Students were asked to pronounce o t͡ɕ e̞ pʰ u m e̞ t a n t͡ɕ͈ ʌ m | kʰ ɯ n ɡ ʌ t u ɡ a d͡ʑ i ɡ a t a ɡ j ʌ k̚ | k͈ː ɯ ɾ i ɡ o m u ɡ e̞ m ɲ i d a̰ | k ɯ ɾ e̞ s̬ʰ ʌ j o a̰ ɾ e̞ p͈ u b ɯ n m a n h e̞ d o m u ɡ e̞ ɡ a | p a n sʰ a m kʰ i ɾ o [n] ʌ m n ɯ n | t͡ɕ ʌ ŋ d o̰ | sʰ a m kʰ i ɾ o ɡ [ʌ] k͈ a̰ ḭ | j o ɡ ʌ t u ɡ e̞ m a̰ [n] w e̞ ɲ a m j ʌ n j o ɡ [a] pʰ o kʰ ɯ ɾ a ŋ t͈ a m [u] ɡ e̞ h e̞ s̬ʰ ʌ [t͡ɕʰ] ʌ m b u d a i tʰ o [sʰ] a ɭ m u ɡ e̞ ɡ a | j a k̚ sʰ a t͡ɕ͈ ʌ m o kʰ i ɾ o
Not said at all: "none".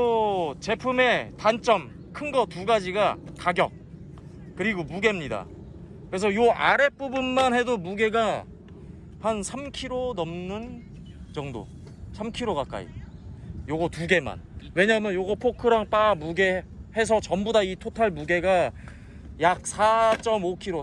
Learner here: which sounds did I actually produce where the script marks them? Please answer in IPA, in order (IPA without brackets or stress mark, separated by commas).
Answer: n, a, n, ʌ, u, t͡ɕ, tʰ